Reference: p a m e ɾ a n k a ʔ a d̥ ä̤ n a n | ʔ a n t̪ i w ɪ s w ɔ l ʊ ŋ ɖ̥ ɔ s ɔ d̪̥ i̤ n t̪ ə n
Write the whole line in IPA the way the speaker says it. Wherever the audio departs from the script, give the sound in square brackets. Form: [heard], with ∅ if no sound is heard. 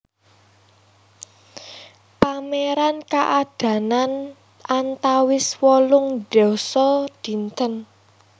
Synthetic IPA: p a m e ɾ a n k a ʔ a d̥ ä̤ n a n | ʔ a n t̪ [a] w ɪ s w ɔ l ʊ ŋ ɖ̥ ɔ s ɔ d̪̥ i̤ n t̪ ə n